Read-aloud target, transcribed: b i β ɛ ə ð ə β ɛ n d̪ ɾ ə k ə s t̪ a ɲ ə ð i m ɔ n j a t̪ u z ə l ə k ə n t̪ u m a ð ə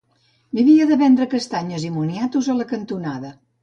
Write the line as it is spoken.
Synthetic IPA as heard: b i β i ə ð ə β ɛ n d̪ ɾ ə k ə s t̪ a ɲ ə z i m u n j a t̪ u z ə l ə k ə n t̪ u n a ð ə

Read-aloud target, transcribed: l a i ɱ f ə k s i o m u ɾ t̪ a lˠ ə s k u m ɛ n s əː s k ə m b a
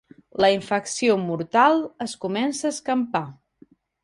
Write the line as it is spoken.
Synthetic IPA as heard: l ə i ɱ f ə k s i o m u ɾ t̪ a lˠ ə s k u m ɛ n s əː s k ə m p a

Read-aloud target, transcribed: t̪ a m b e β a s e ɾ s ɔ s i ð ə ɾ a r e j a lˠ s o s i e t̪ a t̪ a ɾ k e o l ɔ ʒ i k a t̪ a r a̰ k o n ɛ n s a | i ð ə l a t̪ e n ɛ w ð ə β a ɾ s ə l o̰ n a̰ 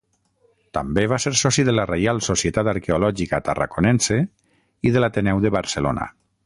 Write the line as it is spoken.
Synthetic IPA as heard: t̪ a m b e β a s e ɾ s ɔ s i ð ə l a r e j a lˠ s o s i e t̪ a t̪ a ɾ k e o l ɔ ʒ i k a t̪ a r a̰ k o n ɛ n s e | i ð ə l a t̪ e n ɛ w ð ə β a ɾ s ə l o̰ n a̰

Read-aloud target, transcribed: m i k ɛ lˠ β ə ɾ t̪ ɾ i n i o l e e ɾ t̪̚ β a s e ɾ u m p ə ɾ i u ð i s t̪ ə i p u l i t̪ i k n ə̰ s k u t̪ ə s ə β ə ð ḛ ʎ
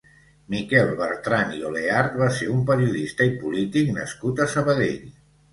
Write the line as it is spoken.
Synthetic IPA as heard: m i k ɛ lˠ β ə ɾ t̪ ɾ a n i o l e a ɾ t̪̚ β a s e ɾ u m p ə ɾ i u ð i s t̪ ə i p u l i t̪ i k n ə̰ s k u t̪ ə s ə β ə ð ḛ ʎ

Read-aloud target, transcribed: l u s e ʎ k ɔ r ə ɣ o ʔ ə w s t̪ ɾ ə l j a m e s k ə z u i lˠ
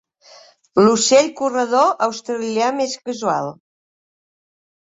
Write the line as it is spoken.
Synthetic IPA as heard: l u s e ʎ k u r ə ð o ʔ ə w s t̪ ɾ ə l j a m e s k ə z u a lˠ

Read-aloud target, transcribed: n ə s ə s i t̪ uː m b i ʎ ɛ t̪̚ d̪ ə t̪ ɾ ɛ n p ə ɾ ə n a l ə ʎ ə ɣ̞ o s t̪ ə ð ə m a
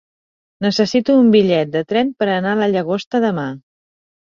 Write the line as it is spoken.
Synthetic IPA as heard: n ə s ə s i t̪ uː m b i ʎ ɛ t̪̚ d̪ ə t̪ ɾ ɛ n p ə ɾ ə n a l ə ʎ ə ɣ̞ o s t̪ ə ð ə m a

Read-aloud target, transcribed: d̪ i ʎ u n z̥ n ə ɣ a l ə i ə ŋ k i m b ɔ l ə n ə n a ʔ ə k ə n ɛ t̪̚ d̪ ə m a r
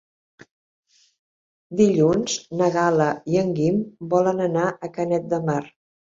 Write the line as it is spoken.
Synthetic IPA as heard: d̪ i ʎ u n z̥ n ə ɣ a l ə i ə ŋ ɡ i m b ɔ l ə n ə n a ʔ ə k ə n ɛ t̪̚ d̪ ə m a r

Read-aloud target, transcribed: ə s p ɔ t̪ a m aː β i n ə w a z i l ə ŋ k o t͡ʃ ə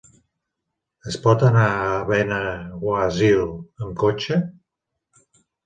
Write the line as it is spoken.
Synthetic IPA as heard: ə s p ɔ t̪ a n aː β ɛ n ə w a z i l ə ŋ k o t͡ʃ ə

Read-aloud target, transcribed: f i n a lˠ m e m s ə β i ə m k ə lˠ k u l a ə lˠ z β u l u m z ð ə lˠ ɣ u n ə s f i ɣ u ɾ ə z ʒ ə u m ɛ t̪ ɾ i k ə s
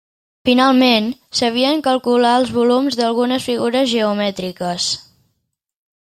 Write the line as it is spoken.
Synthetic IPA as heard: f i n a lˠ m e n s ə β i ə ŋ k ə lˠ k u l a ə lˠ z β u l u m z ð ə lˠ ɣ u n ə s f i ɣ u ɾ ə z ʒ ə u m ɛ t̪ ɾ i k ə s

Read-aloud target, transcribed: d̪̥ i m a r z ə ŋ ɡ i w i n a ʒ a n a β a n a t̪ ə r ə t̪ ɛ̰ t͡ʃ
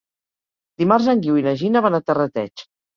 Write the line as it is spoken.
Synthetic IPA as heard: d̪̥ i m a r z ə ŋ ɡ i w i n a ʒ i n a β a n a t̪ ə r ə t̪ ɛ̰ t͡ʃ

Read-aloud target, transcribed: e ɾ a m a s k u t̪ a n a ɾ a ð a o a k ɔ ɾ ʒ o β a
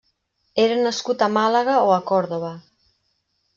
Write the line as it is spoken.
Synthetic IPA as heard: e ɾ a n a s k u t̪ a m a l a ɣ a o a k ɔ ɾ ð o β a

